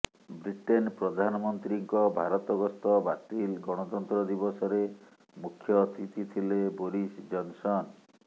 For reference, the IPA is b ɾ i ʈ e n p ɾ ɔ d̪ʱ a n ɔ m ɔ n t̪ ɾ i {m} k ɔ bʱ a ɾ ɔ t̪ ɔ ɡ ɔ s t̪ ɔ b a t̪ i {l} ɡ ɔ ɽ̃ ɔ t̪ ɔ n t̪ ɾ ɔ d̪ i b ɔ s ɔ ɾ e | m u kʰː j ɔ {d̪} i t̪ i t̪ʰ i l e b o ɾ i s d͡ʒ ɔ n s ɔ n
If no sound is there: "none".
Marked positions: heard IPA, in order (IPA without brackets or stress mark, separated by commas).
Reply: ŋ, l, t̪